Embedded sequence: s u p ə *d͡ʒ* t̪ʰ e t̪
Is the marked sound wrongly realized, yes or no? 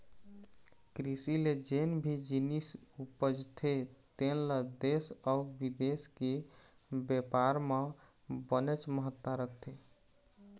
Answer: no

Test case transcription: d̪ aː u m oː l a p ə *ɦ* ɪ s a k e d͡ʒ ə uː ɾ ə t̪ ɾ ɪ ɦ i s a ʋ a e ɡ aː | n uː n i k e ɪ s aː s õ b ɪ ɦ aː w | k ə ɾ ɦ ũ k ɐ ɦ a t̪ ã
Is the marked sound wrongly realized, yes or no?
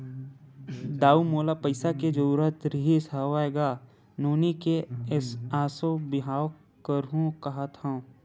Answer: yes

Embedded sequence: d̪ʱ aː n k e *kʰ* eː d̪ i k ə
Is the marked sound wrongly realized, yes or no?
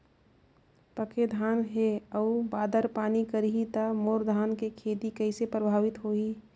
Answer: no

